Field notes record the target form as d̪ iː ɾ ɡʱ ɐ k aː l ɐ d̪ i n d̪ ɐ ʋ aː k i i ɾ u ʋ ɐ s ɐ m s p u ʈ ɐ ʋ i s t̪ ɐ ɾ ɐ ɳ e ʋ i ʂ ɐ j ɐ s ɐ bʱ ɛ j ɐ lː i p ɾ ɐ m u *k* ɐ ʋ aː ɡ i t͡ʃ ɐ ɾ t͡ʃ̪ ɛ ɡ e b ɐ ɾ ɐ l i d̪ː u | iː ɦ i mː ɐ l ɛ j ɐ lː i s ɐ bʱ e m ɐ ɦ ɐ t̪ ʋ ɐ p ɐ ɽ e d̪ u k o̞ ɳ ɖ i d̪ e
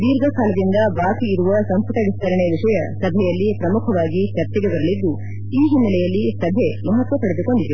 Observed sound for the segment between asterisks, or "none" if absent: kʰ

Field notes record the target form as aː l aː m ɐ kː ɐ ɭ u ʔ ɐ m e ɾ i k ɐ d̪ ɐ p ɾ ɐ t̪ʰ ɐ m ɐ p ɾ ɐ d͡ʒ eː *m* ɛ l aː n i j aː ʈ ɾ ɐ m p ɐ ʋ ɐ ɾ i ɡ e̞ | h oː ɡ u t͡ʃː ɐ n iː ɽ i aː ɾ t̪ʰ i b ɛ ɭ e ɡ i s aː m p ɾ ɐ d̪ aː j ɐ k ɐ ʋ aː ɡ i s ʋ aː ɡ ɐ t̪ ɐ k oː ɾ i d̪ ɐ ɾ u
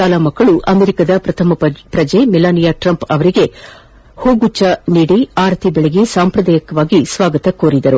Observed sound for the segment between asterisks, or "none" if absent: m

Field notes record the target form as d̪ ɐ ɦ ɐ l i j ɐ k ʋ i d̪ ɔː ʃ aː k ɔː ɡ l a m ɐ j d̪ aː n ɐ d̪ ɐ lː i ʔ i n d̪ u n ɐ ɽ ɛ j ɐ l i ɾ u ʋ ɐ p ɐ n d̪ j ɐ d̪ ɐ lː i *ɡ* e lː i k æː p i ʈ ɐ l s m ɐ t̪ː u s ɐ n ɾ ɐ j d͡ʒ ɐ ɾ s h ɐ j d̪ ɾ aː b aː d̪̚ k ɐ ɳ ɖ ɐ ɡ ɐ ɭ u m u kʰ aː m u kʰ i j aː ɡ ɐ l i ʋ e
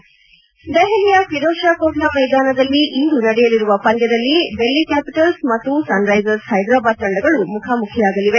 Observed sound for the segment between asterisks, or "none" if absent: b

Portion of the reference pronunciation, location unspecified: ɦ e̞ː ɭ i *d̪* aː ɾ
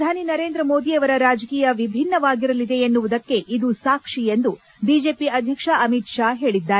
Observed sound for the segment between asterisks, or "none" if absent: d̪ː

